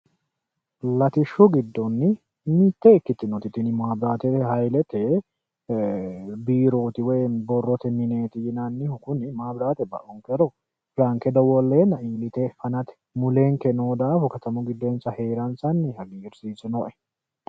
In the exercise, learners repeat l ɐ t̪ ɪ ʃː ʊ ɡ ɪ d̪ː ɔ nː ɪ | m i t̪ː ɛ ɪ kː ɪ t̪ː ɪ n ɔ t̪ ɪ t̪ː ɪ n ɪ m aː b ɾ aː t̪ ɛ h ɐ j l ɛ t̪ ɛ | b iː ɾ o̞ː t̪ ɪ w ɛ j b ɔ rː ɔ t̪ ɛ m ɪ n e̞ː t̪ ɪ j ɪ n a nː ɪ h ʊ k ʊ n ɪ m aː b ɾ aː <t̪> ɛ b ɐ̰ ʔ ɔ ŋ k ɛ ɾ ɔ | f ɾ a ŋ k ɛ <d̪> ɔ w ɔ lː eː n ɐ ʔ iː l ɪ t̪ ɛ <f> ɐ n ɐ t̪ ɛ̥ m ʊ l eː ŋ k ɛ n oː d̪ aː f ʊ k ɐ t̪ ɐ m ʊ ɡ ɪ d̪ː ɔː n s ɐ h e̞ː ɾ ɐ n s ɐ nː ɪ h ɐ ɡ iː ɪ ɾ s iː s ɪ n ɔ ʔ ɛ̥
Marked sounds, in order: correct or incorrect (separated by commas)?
correct, correct, correct